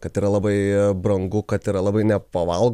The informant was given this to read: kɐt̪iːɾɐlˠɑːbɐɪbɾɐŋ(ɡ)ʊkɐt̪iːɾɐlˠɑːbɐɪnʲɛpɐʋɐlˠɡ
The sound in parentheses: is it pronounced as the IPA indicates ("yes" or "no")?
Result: yes